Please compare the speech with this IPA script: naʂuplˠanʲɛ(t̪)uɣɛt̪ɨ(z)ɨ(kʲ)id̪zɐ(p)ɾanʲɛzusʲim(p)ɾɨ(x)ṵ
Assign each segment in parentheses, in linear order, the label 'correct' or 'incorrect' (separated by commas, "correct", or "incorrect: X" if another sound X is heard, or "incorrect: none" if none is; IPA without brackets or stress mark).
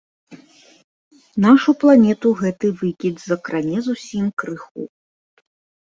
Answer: correct, incorrect: v, correct, incorrect: k, incorrect: k, correct